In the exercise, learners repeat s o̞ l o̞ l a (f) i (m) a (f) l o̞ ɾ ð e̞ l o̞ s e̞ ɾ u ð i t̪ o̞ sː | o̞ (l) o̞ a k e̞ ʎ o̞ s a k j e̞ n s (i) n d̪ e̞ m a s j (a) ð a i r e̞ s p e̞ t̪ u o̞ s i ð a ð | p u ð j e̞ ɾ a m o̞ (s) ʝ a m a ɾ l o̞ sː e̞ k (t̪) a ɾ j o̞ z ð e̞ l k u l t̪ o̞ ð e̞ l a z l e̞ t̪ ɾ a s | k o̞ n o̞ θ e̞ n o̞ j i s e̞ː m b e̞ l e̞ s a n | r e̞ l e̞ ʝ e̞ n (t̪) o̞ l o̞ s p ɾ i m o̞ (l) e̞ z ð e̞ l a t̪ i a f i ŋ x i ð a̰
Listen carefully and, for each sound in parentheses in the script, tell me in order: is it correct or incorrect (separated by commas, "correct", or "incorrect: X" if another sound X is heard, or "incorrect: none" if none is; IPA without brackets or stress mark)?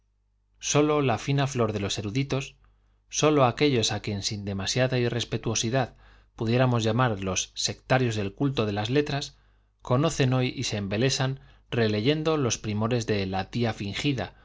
correct, incorrect: n, correct, correct, correct, correct, incorrect: z, correct, incorrect: d̪, incorrect: ɾ